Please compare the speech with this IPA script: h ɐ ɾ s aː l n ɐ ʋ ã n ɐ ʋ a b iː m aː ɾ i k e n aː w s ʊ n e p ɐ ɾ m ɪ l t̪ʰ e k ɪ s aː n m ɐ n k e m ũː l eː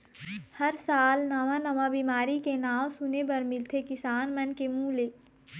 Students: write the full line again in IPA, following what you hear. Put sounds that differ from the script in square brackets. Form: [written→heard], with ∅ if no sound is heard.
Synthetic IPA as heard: h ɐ ɾ s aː l n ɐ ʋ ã n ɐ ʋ a b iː m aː ɾ i k e n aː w s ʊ n e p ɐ ɾ m ɪ l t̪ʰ e k ɪ s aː n m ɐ n k e m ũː l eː